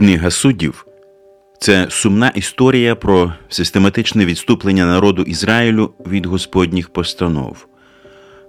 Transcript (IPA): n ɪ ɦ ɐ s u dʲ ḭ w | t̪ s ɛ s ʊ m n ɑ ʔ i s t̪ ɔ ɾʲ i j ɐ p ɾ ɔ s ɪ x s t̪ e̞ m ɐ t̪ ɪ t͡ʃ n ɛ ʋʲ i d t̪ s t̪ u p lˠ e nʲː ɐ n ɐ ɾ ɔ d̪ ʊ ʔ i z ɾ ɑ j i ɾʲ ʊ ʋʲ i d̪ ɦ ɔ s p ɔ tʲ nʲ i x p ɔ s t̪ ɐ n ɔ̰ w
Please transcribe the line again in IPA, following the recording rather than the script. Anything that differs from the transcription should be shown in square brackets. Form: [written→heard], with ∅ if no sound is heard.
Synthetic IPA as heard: n ɪ ɦ ɐ s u dʲ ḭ w | t̪ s ɛ s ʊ m n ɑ ʔ i s t̪ ɔ ɾʲ i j ɐ p ɾ ɔ s ɪ [x→∅] s t̪ e̞ m ɐ t̪ ɪ t͡ʃ n ɛ ʋʲ i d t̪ s t̪ u p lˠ e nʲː ɐ n ɐ ɾ ɔ d̪ ʊ ʔ i z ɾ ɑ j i [ɾʲ→lʲ] ʊ ʋʲ i d̪ ɦ ɔ s p ɔ [tʲ→dʲ] nʲ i x p ɔ s t̪ ɐ n ɔ̰ w